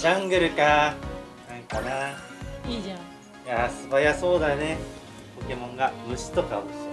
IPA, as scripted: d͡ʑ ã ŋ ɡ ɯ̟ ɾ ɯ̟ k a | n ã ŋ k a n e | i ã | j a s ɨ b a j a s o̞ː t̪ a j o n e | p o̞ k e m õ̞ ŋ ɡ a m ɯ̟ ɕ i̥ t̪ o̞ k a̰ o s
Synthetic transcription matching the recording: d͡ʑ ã ŋ ɡ ɯ̟ ɾ ɯ̟ k a | n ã ŋ k a n a | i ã | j a s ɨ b a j a s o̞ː d̪ a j o n e | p o̞ k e m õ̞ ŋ ɡ a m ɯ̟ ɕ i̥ t̪ o̞ k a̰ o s